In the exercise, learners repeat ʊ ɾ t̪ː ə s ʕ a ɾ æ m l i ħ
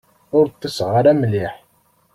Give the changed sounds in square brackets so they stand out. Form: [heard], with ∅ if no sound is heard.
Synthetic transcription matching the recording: ʊ ɾ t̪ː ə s [ʁ] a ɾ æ m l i ħ